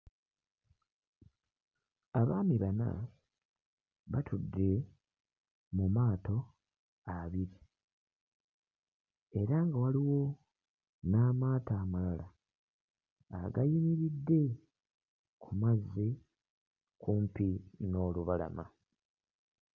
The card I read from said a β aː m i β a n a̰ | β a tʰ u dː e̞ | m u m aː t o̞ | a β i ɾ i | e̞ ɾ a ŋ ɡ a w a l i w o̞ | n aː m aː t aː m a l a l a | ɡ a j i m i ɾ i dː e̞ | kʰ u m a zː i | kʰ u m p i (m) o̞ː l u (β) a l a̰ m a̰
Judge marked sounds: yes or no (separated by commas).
no, yes